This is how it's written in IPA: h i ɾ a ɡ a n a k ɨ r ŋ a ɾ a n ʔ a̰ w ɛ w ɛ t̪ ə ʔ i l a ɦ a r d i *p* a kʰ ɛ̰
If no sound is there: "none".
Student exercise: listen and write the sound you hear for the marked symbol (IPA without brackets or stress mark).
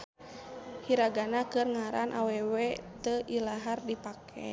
p